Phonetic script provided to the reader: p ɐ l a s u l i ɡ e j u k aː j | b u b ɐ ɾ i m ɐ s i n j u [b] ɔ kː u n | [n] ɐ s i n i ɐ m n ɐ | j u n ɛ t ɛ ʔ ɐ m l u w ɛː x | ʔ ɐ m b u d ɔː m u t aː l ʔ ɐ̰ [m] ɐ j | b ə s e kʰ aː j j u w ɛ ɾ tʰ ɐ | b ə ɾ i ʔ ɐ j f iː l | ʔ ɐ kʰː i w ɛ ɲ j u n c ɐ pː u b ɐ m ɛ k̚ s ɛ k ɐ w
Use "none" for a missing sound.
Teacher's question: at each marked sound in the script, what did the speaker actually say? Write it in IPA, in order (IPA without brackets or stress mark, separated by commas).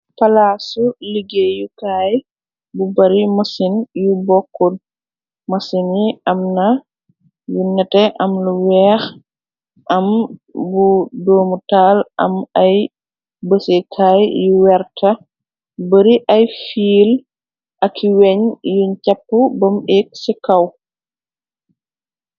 b, m, m